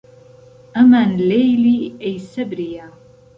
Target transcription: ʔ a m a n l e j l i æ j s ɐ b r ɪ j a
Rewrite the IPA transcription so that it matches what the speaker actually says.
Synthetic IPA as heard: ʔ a m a n l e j l i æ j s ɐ b ɾ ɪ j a